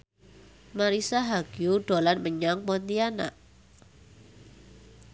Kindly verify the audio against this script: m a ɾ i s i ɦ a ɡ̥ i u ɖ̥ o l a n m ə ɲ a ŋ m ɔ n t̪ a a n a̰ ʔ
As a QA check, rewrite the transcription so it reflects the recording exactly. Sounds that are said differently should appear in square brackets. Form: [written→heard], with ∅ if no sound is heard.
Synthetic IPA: m a ɾ i s [i→a] ɦ a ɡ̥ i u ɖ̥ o l a n m ə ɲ a ŋ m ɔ n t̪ [a→i] a n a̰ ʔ